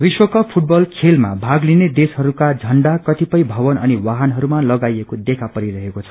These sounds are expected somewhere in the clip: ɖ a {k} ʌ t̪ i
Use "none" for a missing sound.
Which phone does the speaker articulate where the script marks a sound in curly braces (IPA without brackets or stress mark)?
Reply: k